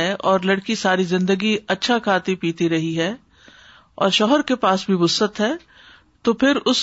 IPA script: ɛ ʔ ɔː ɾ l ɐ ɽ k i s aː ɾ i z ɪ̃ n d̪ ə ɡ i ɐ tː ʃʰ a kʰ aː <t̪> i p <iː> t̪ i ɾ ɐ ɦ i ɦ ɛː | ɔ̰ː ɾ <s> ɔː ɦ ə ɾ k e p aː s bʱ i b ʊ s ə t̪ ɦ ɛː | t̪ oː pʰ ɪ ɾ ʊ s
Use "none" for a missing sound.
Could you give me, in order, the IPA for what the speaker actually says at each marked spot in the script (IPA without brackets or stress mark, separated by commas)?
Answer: t̪, iː, ʃ